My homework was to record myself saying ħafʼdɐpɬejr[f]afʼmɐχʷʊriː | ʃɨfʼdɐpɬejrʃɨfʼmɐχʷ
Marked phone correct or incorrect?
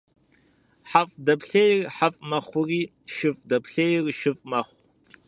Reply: incorrect